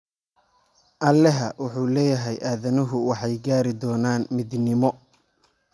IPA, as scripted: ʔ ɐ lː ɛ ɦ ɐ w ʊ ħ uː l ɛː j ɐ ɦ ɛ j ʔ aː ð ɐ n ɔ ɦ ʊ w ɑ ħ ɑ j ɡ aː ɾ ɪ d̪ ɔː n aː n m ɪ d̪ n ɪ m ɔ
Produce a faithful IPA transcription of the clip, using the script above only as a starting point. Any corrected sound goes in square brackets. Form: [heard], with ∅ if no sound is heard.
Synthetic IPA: ʔ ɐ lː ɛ ɦ ɐ w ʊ ħ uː l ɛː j ɐ ɦ ɛ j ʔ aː ð ɐ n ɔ ɦ ʊ w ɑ ħ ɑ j ɡ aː ɾ ɪ d̪ ɔː n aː n m ɪ d̪ n ɪ m ɔ

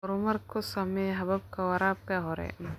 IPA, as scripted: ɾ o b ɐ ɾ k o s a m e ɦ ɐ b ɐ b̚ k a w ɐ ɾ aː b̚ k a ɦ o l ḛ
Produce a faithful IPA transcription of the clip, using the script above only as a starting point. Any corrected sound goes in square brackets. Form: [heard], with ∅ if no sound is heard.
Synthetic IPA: ɾ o [m] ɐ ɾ k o s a m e ɦ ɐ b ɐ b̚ k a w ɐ ɾ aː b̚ k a ɦ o [ɾ] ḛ

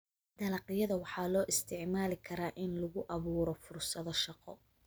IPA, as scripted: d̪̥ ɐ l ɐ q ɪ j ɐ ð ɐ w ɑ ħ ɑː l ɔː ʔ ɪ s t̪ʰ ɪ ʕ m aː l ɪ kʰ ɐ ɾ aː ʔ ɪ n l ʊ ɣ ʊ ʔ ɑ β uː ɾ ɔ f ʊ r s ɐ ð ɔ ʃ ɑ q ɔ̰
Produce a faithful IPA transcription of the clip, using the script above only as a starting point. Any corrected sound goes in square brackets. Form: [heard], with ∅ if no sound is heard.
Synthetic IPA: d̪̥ ɐ l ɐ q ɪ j ɐ ð ɐ w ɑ ħ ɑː l ɔː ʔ ɪ s t̪ʰ ɪ ʕ m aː l ɪ kʰ ɐ ɾ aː ʔ ɪ n l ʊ ɣ ʊ ʔ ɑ β uː ɾ ɔ f ʊ r s ɐ ð ɔ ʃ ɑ q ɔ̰

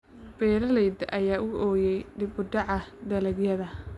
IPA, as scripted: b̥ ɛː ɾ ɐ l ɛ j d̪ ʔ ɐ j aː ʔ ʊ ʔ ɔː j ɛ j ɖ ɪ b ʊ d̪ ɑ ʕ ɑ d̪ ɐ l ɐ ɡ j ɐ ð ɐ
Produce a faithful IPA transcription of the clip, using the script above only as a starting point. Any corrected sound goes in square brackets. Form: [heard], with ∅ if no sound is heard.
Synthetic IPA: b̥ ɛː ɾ ɐ l ɛ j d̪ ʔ ɐ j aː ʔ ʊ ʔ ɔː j ɛ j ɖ ɪ b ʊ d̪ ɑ ʕ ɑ d̪ ɐ l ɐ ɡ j ɐ ð ɐ

